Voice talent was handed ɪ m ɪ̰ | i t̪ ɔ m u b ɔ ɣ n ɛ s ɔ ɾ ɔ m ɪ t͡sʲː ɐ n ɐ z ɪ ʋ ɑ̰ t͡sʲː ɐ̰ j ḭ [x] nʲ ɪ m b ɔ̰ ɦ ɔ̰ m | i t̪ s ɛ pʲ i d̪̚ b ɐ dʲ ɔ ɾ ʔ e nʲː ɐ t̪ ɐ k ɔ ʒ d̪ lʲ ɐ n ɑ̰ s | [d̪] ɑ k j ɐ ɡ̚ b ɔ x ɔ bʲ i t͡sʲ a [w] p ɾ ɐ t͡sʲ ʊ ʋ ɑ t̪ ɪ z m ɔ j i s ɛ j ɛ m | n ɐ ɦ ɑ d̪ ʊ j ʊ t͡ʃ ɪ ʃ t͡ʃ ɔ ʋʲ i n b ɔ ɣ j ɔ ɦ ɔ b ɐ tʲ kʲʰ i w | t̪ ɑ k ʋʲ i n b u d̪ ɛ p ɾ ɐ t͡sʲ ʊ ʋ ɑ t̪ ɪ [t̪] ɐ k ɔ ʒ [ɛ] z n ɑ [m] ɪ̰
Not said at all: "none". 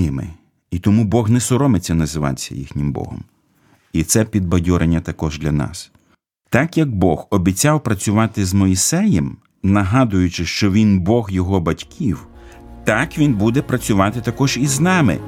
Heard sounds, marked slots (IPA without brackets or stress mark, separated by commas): x, t̪, w, t̪, i, m